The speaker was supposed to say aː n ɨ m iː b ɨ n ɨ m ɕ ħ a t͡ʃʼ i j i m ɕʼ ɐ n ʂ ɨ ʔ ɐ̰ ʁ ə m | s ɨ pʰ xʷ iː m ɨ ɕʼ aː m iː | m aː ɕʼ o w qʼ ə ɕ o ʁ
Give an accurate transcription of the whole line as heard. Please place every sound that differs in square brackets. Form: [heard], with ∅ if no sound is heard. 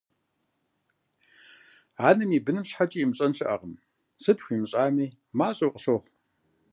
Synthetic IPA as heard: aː n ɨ m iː b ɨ n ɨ m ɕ ħ a t͡ʃʼ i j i m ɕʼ ɐ n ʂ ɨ ʔ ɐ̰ ʁ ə m | s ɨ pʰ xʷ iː m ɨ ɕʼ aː m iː | m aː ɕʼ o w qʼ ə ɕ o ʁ